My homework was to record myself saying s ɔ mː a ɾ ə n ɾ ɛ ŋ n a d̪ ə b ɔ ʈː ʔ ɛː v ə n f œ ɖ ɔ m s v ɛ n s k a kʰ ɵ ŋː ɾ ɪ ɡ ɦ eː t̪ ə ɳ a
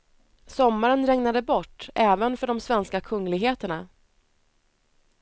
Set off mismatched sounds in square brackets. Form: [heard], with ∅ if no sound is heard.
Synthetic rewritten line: s ɔ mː a ɾ ə n ɾ ɛ ŋ n a d̪ ə b ɔ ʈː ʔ ɛː v ə n f œ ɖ ɔ m s v ɛ n s k a kʰ ɵ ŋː [l] ɪ ɡ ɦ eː t̪ ə ɳ a